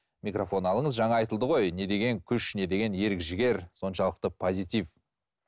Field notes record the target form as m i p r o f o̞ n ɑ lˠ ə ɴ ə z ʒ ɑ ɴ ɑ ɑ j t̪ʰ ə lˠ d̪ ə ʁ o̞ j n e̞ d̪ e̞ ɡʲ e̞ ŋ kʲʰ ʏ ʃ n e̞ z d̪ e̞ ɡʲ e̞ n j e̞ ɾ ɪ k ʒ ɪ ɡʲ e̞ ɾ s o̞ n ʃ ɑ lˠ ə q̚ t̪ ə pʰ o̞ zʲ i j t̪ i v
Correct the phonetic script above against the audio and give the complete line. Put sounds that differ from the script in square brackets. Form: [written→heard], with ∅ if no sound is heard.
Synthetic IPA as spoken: m i [p→k] r o f o̞ n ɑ lˠ ə ɴ ə z ʒ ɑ ɴ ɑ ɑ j [t̪ʰ→t̪] ə lˠ d̪ ə ʁ o̞ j n e̞ d̪ e̞ ɡʲ e̞ ŋ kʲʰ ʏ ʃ n e̞ [z→∅] d̪ e̞ ɡʲ e̞ n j e̞ ɾ ɪ k ʒ ɪ ɡʲ e̞ ɾ s o̞ n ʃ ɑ lˠ ə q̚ t̪ ə pʰ o̞ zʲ i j t̪ i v